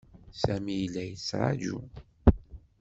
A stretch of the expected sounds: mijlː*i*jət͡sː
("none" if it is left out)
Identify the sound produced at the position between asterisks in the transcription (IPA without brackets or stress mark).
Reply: æ